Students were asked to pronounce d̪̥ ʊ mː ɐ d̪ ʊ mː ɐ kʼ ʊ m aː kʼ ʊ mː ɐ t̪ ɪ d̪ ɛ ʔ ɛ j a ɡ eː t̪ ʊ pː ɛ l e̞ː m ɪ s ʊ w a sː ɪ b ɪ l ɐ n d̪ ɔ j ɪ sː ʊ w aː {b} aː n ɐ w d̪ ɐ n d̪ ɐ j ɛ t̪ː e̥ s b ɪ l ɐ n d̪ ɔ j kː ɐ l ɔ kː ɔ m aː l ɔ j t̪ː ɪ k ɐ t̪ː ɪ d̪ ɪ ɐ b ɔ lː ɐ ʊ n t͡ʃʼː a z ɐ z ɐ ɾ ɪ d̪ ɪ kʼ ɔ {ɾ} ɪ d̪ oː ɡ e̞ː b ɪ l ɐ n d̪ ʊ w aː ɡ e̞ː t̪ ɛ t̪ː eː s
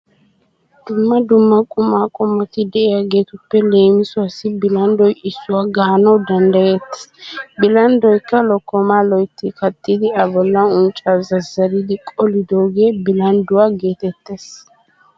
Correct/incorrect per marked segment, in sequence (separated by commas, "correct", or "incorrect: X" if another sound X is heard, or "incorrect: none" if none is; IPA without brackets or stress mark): incorrect: ɡ, incorrect: l